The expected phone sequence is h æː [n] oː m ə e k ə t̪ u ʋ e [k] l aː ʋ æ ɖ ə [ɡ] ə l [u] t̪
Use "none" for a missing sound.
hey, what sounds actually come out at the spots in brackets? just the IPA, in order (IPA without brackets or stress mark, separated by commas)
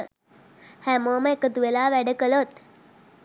m, none, k, o